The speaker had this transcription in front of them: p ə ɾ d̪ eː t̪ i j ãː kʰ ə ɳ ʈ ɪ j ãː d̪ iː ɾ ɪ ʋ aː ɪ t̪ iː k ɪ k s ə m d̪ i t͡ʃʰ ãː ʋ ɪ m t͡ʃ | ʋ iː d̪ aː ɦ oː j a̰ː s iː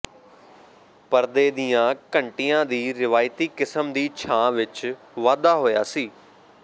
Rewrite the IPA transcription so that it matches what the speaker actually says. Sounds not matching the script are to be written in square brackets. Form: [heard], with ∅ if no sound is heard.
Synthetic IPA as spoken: p ə ɾ d̪ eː [d̪] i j ãː [k] ə ɳ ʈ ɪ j ãː d̪ iː ɾ ɪ ʋ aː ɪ t̪ iː k ɪ [∅] s ə m d̪ [iː] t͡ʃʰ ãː ʋ ɪ [∅] t͡ʃ | ʋ [aː] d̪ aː ɦ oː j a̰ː s iː